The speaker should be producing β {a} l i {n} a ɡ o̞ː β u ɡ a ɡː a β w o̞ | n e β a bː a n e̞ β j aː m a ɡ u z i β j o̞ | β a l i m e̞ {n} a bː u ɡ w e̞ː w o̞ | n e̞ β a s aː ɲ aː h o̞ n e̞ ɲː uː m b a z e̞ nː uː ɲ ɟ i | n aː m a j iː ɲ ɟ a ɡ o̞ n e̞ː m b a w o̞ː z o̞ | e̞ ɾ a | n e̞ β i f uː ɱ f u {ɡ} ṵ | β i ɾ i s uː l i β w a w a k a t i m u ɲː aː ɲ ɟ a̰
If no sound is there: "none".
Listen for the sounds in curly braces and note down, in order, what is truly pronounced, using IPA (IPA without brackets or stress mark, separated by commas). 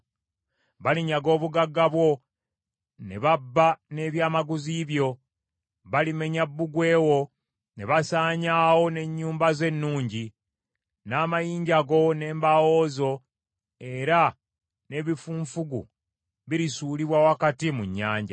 a, ɲ, ɲ, ɡ